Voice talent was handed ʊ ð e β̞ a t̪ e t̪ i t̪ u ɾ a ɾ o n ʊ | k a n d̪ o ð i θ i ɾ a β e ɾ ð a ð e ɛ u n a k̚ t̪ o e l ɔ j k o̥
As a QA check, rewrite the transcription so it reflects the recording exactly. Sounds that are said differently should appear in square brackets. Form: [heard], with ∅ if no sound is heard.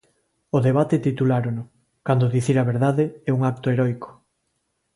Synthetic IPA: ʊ ð e β̞ a t̪ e t̪ i t̪ u [l] a ɾ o n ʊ | k a n d̪ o ð i θ i ɾ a β e ɾ ð a ð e ɛ u [ŋ] a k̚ t̪ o e [ɾ] ɔ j k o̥